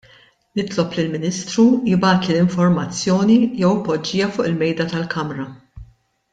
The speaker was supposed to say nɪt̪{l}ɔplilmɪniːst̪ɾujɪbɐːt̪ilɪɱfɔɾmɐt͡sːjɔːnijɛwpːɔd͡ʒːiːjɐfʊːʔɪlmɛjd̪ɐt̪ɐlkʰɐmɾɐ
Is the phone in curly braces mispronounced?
no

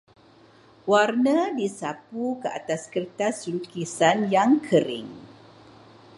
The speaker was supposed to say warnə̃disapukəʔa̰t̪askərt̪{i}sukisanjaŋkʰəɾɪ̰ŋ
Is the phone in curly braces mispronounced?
yes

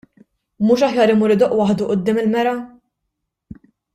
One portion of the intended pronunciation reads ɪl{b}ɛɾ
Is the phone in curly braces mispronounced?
yes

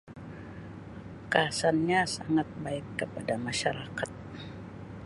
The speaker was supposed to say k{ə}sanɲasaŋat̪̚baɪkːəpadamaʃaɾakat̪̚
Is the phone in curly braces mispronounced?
yes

